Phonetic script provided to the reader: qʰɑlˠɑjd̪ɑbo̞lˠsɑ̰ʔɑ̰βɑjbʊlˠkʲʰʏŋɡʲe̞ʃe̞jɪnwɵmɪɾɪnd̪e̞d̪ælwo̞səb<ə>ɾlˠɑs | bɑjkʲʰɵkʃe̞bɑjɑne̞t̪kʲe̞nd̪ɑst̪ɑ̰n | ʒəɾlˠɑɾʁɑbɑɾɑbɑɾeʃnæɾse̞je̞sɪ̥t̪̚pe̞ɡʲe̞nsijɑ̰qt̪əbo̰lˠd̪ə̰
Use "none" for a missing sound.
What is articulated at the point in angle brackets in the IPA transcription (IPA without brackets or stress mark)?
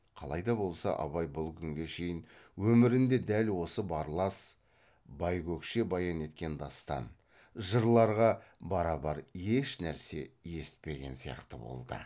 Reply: ɑ